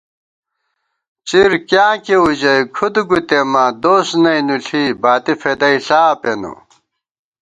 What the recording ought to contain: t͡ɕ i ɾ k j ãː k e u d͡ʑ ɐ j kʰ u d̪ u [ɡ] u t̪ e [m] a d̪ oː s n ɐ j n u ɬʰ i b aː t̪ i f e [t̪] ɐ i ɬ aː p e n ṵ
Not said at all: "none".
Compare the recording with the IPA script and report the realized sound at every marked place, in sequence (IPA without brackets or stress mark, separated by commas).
ɡ, m, d̪